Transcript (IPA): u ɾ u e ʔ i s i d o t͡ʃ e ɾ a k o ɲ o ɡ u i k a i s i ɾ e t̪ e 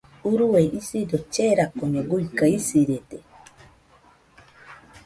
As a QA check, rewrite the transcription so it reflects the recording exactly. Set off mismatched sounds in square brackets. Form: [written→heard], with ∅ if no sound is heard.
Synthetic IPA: u ɾ u e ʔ i s i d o t͡ʃ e ɾ a k o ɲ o ɡ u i k a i s i ɾ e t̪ e